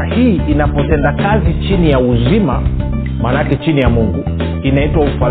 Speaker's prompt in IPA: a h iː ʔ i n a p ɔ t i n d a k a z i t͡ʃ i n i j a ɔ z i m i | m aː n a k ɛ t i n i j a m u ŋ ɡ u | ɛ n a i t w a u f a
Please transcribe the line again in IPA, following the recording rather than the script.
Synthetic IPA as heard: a h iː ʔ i n a p ɔ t ɛ n d a k a z i t͡ʃ i n i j a u z i m a | m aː n a k ɛ t͡ʃ i n i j a m u ŋ ɡ u | i n a i t w a u f a